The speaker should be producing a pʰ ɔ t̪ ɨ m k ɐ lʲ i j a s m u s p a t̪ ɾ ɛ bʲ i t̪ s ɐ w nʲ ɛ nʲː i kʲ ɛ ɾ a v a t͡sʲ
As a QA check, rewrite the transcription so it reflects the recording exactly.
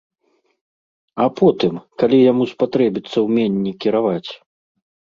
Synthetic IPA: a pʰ ɔ t̪ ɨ m k a lʲ i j a m u s p a t̪ ɾ ɛ bʲ i t̪ sː ɐ w mʲ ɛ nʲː i kʲ i ɾ a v a t͡sʲ